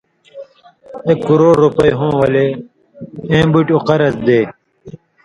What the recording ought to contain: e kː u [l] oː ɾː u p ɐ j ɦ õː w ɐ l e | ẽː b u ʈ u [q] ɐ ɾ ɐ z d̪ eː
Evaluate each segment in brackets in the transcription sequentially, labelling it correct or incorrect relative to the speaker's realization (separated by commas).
incorrect, correct